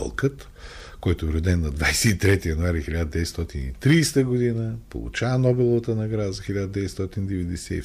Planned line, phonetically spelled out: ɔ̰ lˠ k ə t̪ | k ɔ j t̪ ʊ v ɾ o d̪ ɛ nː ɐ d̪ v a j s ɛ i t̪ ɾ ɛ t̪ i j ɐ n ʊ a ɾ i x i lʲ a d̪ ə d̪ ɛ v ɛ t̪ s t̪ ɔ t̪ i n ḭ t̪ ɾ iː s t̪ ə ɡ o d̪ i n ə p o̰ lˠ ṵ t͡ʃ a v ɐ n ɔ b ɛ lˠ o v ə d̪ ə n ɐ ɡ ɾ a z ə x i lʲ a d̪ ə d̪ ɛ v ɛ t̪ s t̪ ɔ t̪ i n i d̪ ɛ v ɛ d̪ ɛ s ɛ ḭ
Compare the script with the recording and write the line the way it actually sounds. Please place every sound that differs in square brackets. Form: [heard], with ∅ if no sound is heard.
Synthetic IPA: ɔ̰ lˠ k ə t̪ | k ɔ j t̪ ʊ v ɾ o d̪ ɛ nː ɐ d̪ v a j s ɛ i t̪ ɾ ɛ t̪ i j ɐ n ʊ a ɾ i x i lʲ a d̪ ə d̪ ɛ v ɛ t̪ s t̪ ɔ t̪ i n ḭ t̪ ɾ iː s t̪ ə ɡ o d̪ i n ə p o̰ lˠ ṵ t͡ʃ a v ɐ n ɔ b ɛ lˠ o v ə [t̪] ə n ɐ ɡ ɾ a z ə x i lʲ a d̪ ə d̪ ɛ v ɛ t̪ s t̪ ɔ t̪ i n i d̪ ɛ v ɛ d̪ ɛ s ɛ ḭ